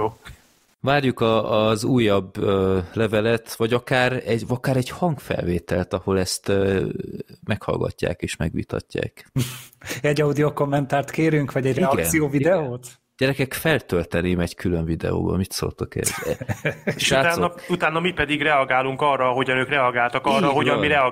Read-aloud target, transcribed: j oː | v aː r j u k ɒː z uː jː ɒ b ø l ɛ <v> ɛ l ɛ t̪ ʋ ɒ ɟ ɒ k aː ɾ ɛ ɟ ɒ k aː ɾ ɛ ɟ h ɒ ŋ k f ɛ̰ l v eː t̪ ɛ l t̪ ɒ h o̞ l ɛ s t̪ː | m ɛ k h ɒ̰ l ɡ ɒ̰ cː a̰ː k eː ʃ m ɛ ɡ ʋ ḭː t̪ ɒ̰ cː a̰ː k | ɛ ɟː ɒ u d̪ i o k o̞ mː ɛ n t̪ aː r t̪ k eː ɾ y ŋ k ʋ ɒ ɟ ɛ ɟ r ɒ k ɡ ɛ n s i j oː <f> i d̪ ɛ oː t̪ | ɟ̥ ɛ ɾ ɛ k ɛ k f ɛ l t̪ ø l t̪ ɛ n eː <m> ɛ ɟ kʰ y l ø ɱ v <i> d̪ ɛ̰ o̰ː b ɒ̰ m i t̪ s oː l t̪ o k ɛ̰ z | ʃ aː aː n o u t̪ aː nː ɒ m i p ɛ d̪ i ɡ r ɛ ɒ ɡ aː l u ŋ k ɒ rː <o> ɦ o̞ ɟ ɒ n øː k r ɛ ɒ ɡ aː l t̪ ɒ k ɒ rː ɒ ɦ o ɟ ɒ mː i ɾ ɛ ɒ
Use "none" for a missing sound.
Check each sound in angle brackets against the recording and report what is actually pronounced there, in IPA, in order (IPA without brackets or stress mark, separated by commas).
v, v, m, i, ɒ